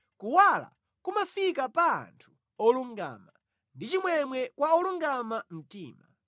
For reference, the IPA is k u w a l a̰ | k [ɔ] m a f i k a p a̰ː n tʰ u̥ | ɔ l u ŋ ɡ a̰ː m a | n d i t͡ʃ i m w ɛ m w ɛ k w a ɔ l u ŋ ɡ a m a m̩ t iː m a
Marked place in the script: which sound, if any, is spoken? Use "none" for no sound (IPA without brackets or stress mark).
u